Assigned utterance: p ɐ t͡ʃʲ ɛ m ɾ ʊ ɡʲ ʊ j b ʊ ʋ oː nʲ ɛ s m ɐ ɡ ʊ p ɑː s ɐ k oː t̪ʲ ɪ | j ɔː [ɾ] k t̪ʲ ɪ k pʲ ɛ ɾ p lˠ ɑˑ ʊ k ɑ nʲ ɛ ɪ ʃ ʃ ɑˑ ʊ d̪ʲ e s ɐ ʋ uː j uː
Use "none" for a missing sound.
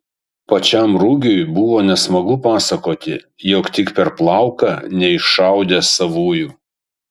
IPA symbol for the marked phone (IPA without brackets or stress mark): none